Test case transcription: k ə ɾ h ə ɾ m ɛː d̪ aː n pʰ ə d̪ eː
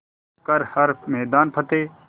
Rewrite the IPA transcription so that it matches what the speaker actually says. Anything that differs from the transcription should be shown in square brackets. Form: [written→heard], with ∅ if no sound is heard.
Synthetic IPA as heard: k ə ɾ h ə ɾ m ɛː d̪ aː n pʰ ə [d̪→t̪] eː